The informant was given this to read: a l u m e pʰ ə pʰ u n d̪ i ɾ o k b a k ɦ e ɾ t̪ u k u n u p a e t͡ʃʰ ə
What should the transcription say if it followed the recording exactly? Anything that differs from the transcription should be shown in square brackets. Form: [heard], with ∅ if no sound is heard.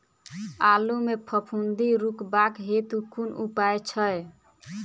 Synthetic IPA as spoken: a l u m e pʰ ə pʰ u n d̪ i ɾ [u] k b a k ɦ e [∅] t̪ u k u n u p a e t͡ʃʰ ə